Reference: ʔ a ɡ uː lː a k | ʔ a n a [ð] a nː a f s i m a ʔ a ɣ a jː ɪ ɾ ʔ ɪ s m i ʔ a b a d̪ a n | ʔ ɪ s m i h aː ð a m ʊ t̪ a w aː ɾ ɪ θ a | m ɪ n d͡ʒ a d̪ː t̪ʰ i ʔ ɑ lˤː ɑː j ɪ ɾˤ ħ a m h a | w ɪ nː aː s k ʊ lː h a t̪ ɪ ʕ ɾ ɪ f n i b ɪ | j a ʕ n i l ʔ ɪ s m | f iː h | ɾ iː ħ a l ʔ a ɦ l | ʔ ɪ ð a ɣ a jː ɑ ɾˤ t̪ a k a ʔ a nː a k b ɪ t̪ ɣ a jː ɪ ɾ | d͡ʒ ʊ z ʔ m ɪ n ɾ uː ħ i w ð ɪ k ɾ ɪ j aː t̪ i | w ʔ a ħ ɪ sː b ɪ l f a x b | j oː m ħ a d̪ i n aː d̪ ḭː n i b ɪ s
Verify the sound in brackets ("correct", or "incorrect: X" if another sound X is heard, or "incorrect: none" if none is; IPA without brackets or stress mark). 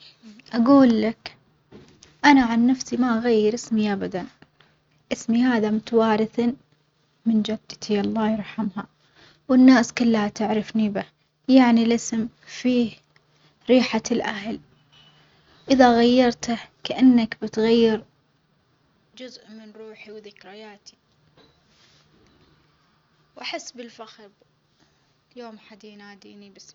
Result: incorrect: ʕ